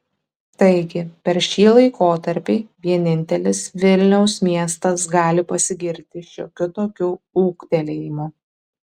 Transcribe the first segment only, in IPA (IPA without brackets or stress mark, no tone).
t̪